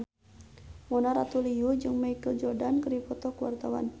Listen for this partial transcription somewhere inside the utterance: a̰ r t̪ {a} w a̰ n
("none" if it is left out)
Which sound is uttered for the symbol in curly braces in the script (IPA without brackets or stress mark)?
a